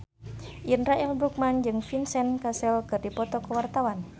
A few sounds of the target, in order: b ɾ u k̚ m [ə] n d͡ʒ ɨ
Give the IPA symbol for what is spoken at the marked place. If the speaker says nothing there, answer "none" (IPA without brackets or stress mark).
a